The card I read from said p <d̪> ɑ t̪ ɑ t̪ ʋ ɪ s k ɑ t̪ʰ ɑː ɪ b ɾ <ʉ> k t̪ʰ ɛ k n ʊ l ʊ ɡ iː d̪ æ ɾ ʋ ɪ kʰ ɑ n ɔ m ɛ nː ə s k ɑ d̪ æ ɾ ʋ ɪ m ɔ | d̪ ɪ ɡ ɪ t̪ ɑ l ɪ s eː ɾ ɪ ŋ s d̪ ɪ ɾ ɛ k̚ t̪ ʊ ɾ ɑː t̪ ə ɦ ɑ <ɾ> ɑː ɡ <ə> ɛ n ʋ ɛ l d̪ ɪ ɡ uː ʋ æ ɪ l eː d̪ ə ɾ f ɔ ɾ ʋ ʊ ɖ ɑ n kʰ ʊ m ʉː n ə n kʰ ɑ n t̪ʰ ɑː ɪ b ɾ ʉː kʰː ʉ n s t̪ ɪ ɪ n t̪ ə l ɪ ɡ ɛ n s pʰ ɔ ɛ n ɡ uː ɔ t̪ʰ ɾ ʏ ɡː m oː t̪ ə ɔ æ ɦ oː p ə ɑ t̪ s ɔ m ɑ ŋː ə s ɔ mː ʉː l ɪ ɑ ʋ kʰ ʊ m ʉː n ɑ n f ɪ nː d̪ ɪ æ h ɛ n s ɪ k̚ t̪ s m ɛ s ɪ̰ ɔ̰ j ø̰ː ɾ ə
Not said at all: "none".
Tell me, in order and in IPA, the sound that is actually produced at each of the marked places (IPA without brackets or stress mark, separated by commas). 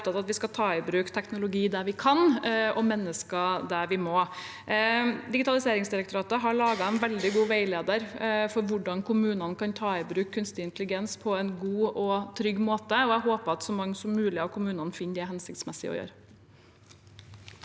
t̪, ʉː, ɭ, ɑ